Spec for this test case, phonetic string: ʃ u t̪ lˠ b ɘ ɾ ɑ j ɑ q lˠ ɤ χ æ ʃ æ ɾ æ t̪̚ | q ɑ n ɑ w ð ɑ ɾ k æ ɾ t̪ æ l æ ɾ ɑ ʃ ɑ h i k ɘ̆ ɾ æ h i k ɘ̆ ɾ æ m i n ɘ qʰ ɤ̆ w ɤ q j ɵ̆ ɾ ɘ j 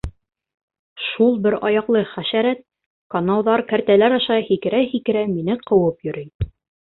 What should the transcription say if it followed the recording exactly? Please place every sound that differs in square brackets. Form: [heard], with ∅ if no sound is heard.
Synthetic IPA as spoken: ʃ u [∅] lˠ b ɘ ɾ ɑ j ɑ q lˠ ɤ χ æ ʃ æ ɾ æ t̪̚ | [k] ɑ n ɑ w ð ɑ ɾ k æ ɾ t̪ æ l æ ɾ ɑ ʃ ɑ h i k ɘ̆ ɾ æ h i k ɘ̆ ɾ æ m i n ɘ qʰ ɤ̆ w ɤ [p] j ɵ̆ ɾ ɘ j

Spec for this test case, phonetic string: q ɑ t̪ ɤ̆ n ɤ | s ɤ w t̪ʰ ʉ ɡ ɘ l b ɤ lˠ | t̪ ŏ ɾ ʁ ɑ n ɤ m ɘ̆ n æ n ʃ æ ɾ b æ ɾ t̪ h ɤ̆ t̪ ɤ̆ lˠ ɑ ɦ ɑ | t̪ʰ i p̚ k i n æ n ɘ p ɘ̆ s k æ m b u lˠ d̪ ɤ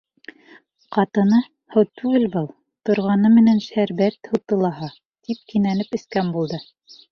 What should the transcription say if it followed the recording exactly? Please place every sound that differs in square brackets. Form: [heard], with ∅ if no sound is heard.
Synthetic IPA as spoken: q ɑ t̪ ɤ̆ n ɤ | [h] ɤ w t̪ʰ ʉ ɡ ɘ l b ɤ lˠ | t̪ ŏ ɾ ʁ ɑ n ɤ m ɘ̆ n æ n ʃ æ ɾ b æ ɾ t̪ h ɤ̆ t̪ ɤ̆ lˠ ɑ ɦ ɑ | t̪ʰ i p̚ k i n æ n ɘ p ɘ̆ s k æ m b u lˠ d̪ ɤ

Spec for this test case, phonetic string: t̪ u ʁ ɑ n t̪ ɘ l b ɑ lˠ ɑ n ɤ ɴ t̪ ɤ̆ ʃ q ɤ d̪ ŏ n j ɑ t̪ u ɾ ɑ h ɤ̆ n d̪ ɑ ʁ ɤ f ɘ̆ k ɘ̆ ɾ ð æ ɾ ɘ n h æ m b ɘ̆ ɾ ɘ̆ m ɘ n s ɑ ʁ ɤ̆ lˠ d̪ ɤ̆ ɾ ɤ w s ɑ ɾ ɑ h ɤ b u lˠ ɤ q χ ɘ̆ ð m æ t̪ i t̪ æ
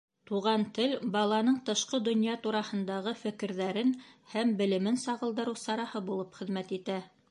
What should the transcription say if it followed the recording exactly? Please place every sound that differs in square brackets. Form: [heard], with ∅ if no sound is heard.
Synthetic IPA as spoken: t̪ u ʁ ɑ n t̪ ɘ l b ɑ lˠ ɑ n ɤ ɴ t̪ ɤ̆ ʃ q ɤ d̪ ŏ n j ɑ t̪ u ɾ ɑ h ɤ̆ n d̪ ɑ ʁ ɤ f ɘ̆ k ɘ̆ ɾ ð æ ɾ ɘ n h æ m b ɘ̆ [l] ɘ̆ m ɘ n s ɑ ʁ ɤ̆ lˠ d̪ ɤ̆ ɾ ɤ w s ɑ ɾ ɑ h ɤ b u lˠ ɤ [p] χ ɘ̆ ð m æ t̪ i t̪ æ

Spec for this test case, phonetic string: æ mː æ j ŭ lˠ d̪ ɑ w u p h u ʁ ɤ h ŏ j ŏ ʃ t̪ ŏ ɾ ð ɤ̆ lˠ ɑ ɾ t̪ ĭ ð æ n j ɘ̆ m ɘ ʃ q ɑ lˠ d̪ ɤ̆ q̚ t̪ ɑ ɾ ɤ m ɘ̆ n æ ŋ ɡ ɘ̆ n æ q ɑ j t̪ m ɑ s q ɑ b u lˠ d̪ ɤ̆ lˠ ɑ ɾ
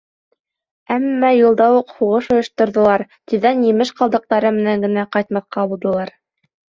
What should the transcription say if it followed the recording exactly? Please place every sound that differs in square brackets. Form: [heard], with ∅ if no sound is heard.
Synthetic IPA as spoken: æ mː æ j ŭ lˠ d̪ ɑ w u [q] h u ʁ ɤ [ʃ] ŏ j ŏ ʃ t̪ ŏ ɾ ð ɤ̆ lˠ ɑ ɾ t̪ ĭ ð æ n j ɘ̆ m ɘ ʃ q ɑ lˠ d̪ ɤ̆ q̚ t̪ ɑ ɾ ɤ m ɘ̆ n æ ŋ ɡ ɘ̆ n æ q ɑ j t̪ m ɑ [θ] q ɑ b u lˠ d̪ ɤ̆ lˠ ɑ ɾ

